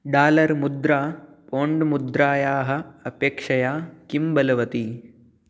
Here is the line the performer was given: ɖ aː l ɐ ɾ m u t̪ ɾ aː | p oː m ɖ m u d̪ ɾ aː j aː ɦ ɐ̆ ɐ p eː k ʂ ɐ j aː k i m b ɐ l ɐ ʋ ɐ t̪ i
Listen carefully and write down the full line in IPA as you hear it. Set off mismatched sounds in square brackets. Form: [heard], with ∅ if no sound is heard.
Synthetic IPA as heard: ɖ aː l ɐ ɾ m u [d̪] ɾ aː | p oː [ɳ] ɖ m u d̪ ɾ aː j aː ɦ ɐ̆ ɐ p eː k ʂ ɐ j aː k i m b ɐ l ɐ ʋ ɐ t̪ i